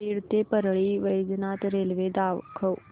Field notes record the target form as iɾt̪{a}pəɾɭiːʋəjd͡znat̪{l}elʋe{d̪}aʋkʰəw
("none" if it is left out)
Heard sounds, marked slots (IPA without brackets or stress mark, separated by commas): e, ɾ, d̪